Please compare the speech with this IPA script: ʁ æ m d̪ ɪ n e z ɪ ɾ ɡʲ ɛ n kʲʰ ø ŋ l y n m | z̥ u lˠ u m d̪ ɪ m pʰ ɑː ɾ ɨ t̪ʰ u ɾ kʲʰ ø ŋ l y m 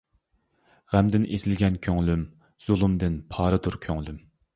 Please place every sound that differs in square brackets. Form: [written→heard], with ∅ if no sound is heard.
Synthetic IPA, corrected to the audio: ʁ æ m d̪ ɪ n e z ɪ [ɾ→l] ɡʲ ɛ n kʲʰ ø ŋ l y [n→∅] m | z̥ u lˠ u m d̪ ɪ [m→n] pʰ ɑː ɾ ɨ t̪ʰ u ɾ kʲʰ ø ŋ l y m